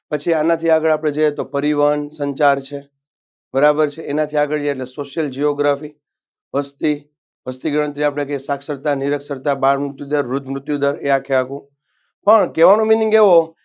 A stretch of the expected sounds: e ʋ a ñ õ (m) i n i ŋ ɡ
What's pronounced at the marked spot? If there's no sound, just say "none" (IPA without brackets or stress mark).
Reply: m